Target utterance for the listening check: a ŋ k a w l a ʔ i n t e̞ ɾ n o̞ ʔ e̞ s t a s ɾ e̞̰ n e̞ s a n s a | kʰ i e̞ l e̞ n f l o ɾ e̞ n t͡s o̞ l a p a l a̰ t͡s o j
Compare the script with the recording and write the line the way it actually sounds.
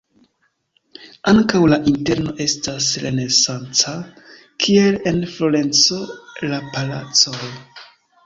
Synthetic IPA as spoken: a ŋ k a w l a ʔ i n t e̞ ɾ n o̞ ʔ e̞ s t a s ɾ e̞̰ n e̞ s a n t͡s a | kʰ i e̞ l e̞ n f l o ɾ e̞ n t͡s o̞ l a p a l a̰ t͡s o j